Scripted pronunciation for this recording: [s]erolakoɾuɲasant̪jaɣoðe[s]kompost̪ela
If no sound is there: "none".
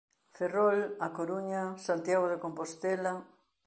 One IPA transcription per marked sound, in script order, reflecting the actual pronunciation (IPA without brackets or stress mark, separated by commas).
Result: f, none